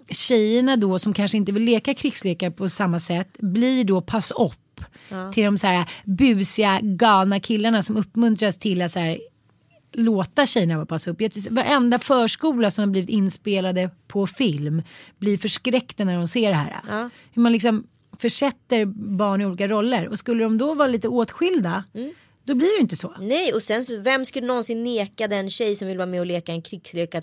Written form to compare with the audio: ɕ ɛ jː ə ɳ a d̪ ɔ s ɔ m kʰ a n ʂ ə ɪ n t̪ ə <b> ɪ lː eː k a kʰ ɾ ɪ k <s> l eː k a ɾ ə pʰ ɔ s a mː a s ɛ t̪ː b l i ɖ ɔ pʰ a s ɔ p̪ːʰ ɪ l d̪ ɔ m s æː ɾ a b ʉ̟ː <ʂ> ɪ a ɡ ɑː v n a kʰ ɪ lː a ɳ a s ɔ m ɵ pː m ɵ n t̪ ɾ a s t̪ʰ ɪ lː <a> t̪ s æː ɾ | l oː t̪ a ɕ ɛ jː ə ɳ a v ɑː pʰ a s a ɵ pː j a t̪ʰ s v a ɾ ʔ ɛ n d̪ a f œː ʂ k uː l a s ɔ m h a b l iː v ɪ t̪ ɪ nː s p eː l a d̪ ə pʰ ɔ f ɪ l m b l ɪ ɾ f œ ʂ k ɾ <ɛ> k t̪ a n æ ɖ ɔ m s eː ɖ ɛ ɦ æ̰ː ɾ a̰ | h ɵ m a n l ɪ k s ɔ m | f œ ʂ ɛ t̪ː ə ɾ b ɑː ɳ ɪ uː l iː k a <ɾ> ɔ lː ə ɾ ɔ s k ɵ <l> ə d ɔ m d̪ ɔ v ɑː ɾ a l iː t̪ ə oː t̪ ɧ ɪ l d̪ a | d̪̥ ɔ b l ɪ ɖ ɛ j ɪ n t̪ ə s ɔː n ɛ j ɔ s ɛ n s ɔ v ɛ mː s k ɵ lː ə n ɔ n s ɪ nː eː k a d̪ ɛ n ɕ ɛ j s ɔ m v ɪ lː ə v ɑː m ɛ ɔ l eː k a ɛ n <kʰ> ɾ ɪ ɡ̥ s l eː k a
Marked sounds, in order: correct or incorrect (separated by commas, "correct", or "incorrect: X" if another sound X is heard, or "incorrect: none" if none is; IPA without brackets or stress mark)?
incorrect: v, correct, incorrect: s, correct, correct, correct, incorrect: lː, correct